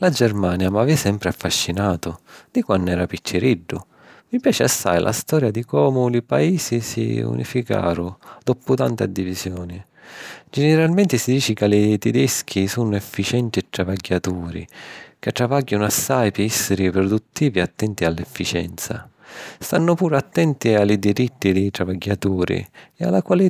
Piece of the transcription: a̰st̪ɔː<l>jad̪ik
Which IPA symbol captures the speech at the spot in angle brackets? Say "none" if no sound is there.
ɾ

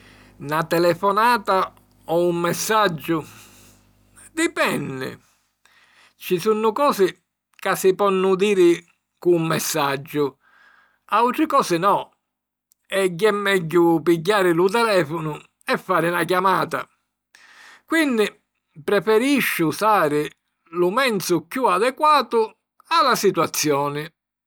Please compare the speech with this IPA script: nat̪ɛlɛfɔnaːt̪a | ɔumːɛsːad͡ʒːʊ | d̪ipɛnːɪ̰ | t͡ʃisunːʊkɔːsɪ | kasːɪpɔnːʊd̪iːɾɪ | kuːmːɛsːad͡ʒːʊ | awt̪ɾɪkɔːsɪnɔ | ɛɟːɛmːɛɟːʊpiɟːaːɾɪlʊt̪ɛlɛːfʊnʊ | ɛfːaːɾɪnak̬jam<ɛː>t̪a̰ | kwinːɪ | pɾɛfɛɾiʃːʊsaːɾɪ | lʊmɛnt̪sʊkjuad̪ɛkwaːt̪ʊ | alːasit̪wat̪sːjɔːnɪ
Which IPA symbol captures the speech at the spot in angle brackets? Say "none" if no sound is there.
aː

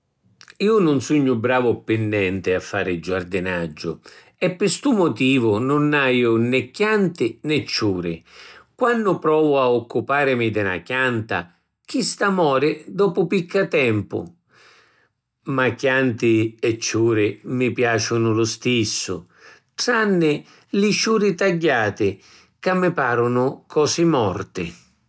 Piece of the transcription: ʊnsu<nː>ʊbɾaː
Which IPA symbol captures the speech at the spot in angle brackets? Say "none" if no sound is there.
ɲː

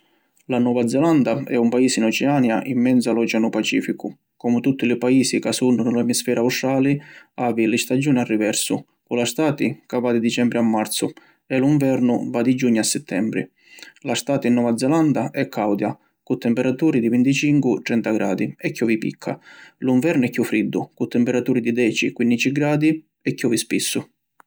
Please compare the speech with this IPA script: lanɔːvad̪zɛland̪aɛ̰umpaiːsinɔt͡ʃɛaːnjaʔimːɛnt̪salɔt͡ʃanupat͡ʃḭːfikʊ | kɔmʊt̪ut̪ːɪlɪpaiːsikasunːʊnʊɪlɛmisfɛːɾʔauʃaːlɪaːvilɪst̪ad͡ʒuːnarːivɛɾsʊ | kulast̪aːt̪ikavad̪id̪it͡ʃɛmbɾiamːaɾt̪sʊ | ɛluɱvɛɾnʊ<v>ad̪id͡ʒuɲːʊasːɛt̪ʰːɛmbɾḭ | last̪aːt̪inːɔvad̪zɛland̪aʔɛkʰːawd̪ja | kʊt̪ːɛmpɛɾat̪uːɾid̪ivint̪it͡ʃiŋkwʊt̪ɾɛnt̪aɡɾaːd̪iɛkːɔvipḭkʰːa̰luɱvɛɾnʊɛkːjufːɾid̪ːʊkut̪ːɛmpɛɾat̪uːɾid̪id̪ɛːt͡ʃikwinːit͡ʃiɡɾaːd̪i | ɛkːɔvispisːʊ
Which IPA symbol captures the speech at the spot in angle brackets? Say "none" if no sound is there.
v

